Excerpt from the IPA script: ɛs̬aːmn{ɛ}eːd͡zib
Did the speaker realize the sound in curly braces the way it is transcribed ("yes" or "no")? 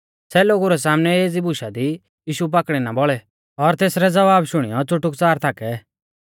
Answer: yes